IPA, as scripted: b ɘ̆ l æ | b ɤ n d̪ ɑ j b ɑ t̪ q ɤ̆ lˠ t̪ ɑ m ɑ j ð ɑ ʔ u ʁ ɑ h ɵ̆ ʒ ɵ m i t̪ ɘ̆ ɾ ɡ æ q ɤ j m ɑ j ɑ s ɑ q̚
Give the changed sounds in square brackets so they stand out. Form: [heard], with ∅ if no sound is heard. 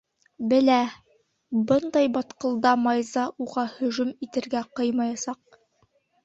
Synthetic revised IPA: b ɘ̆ l æ | b ɤ n d̪ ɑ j b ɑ t̪ q ɤ̆ lˠ [d̪] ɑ m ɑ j [z] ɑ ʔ u ʁ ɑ h ɵ̆ ʒ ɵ m i t̪ ɘ̆ ɾ ɡ æ q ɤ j m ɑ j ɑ s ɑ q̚